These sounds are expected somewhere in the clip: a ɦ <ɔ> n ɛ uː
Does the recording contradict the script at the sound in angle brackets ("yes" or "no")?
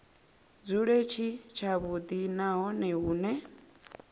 no